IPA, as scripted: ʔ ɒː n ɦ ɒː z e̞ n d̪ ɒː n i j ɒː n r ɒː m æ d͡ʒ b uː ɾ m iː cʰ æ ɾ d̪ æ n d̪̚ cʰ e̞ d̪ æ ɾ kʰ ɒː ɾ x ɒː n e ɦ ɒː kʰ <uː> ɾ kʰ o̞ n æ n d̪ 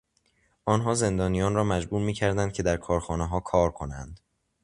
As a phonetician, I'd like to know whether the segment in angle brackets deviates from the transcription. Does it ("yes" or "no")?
yes